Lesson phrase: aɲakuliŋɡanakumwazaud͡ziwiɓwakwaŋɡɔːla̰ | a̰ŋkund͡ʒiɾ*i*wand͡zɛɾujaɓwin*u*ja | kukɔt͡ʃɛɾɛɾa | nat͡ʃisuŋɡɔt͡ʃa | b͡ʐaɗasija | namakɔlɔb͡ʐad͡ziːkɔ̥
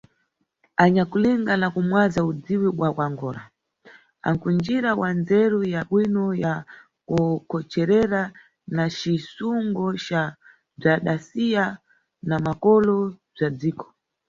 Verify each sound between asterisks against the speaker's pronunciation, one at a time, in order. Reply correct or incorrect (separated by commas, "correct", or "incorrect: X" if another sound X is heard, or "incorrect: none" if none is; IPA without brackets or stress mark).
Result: incorrect: a, incorrect: ɔ